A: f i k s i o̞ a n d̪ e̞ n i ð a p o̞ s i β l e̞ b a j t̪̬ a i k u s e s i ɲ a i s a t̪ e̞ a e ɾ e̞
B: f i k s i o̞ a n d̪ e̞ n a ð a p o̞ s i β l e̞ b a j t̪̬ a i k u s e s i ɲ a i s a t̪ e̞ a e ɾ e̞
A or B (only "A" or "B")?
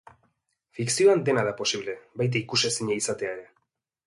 B